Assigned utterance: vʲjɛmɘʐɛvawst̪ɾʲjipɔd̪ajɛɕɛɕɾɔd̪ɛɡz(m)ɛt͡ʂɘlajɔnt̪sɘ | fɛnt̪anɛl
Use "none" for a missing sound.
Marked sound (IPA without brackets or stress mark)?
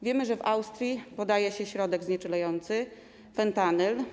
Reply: ɲ